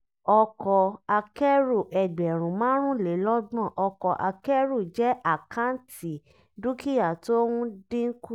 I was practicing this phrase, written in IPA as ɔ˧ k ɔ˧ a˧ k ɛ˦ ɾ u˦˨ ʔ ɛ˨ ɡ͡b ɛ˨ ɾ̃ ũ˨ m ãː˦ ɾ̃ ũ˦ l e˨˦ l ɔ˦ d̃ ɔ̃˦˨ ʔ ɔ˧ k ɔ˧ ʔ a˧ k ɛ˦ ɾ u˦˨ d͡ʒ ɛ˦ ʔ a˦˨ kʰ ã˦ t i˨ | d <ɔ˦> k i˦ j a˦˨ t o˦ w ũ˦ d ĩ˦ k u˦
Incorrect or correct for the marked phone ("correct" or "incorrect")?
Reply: incorrect